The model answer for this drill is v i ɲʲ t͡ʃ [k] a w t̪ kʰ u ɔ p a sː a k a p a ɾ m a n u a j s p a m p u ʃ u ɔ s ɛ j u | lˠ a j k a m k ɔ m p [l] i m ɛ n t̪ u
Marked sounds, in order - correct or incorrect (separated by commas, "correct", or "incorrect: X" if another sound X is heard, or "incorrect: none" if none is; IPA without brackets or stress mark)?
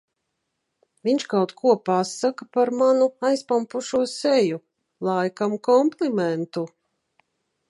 correct, correct